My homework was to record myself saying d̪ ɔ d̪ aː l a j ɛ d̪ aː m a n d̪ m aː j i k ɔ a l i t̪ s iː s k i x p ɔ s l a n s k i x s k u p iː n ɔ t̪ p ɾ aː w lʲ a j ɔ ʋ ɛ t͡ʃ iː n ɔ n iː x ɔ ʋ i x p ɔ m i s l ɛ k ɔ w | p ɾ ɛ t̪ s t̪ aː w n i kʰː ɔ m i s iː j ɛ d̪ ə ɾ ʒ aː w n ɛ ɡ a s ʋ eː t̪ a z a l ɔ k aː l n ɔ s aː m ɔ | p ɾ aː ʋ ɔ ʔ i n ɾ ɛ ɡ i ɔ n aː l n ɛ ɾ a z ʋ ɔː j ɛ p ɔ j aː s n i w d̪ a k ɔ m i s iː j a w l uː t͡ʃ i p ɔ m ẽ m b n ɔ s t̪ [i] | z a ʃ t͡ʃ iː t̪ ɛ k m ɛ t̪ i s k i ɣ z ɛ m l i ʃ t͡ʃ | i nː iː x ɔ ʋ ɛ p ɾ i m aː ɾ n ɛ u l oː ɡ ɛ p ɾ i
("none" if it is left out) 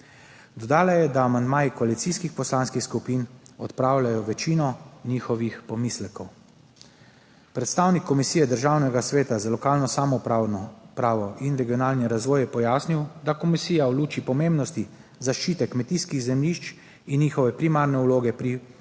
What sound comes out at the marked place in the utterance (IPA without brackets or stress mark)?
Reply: i